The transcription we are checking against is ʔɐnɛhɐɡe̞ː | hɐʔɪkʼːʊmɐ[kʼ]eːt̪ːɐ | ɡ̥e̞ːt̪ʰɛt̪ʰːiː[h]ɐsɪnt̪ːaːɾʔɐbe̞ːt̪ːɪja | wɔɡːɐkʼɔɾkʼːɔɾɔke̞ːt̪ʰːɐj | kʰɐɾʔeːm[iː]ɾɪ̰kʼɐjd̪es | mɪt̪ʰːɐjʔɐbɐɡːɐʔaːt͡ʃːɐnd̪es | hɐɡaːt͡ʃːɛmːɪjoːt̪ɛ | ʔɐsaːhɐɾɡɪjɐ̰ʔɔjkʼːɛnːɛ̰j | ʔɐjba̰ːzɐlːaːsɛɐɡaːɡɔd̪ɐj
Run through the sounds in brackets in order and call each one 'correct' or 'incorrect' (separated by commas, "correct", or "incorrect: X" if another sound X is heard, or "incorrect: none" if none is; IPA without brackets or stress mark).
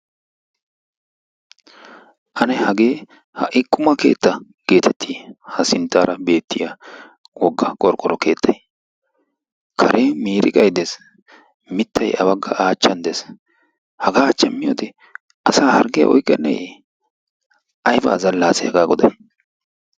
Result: incorrect: k, correct, correct